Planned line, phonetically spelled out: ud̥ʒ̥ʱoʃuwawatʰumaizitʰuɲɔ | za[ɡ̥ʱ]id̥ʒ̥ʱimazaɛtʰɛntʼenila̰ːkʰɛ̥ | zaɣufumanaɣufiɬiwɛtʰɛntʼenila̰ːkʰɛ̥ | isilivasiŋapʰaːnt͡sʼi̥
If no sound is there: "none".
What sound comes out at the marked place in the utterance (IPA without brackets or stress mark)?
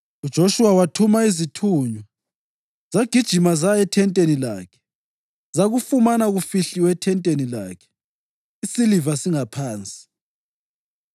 ɡ̥ʱ